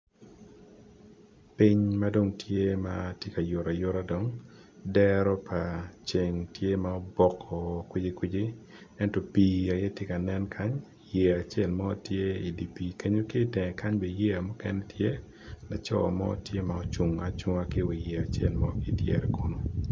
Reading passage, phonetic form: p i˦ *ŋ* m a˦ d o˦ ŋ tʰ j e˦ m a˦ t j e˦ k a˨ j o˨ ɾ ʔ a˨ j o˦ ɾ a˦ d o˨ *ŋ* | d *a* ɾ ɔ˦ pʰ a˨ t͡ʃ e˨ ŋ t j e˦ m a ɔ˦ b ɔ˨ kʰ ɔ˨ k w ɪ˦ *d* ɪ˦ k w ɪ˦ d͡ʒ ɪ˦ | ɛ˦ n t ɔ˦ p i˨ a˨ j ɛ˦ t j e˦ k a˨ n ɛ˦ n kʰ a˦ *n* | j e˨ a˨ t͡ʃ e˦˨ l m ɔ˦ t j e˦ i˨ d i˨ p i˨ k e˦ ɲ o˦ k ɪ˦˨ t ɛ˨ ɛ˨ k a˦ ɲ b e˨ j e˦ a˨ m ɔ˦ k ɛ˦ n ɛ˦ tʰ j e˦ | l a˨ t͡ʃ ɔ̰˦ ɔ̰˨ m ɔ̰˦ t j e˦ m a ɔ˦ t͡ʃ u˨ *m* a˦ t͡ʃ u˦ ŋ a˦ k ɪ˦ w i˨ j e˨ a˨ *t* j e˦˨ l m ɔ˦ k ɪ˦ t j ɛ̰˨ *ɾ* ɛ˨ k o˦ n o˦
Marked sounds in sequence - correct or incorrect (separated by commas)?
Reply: incorrect, correct, incorrect, incorrect, incorrect, incorrect, incorrect, correct